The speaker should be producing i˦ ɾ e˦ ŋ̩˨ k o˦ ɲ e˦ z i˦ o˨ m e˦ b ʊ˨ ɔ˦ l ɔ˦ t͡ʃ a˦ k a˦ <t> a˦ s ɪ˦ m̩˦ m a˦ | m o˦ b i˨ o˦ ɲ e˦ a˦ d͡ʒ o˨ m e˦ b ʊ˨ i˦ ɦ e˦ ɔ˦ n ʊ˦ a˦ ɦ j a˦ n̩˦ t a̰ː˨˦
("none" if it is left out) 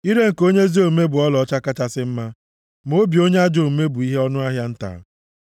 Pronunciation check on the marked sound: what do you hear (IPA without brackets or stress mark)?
t͡ʃ